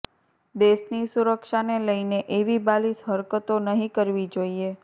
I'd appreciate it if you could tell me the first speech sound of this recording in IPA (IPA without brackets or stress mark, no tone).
d̪